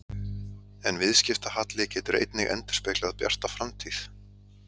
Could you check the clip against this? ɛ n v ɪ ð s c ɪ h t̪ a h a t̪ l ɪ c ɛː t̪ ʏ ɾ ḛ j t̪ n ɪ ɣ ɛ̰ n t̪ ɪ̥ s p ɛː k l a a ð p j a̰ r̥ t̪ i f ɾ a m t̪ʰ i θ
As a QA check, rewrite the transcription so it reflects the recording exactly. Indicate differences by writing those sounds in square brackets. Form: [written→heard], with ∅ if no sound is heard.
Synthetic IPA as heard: ɛ n v ɪ ð s c ɪ [h→f] t̪ a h a t̪ l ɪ c ɛː t̪ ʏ ɾ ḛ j t̪ n ɪ ɣ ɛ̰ n t̪ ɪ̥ s p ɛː k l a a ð p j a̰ r̥ t̪ [i→a] f ɾ a m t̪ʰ i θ